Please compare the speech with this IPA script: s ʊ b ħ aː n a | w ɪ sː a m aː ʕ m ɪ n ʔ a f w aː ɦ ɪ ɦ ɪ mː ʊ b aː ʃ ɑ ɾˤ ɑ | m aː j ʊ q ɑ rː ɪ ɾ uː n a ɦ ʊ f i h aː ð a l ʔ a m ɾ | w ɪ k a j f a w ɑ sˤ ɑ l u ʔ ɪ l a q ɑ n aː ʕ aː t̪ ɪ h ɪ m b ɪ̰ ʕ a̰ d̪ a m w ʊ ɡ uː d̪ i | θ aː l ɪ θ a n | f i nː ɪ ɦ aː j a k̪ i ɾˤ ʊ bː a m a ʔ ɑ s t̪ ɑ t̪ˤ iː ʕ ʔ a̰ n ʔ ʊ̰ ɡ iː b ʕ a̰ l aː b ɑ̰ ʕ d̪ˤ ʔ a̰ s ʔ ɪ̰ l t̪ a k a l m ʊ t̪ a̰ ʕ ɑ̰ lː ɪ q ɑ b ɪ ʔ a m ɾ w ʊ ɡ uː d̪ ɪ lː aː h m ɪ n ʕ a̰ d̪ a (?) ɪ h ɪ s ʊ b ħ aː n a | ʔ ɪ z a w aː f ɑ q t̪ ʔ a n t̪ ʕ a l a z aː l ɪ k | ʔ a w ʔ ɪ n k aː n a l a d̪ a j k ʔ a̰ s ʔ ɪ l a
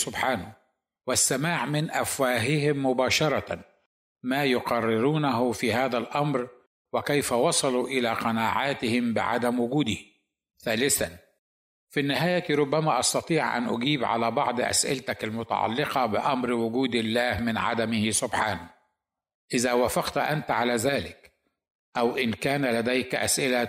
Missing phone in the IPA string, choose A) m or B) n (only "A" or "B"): A